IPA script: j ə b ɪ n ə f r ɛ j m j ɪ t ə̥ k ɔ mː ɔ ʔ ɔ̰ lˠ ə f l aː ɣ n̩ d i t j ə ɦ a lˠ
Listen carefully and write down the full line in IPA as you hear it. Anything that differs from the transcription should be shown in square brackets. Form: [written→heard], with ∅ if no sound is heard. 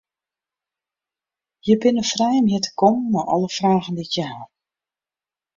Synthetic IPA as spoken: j ə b ɪ n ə f r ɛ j m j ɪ t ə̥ k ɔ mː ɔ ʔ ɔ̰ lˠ ə f [l→r] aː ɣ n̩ d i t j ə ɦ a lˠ